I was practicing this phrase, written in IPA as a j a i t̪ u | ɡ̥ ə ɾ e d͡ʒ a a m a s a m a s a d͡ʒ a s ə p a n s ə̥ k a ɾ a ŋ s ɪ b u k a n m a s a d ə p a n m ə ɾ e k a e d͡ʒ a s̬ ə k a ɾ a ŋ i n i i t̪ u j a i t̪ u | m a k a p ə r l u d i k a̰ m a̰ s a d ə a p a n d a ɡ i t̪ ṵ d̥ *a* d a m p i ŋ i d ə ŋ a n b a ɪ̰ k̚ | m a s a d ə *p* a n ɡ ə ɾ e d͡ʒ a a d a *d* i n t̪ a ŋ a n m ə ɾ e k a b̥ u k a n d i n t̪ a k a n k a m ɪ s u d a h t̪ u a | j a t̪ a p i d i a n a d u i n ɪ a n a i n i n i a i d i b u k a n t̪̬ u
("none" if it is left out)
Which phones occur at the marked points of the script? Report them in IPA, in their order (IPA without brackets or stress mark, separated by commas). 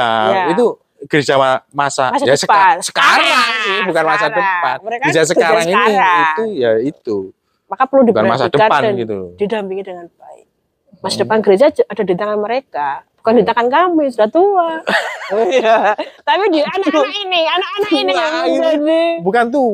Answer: i, p, d